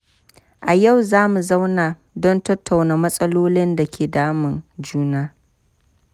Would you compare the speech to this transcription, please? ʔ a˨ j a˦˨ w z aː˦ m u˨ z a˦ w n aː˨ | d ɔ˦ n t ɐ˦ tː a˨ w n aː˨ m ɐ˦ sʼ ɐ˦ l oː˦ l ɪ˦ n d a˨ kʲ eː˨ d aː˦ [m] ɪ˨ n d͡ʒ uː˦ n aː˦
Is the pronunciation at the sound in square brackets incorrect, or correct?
correct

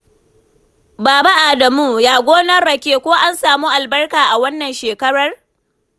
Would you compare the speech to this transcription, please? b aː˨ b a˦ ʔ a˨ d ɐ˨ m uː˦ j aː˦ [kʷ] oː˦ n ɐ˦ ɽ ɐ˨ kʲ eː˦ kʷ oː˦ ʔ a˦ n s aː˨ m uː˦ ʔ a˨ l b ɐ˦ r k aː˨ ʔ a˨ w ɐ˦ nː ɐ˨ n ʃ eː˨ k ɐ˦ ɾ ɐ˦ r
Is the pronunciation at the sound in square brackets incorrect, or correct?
incorrect: ɡʷ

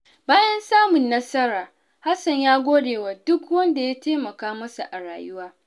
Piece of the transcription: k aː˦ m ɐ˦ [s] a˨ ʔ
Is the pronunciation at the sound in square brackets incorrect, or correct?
correct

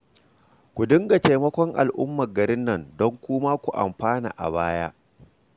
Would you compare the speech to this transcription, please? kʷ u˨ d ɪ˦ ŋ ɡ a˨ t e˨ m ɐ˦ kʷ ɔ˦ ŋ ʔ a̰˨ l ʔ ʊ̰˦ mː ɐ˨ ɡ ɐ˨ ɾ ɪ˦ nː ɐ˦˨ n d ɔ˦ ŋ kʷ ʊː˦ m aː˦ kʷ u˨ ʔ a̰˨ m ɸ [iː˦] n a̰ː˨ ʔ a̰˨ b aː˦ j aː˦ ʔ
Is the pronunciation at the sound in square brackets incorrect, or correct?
incorrect: aː˦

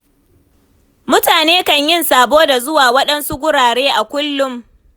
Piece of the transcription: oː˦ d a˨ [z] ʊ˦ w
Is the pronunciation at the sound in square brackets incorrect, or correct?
correct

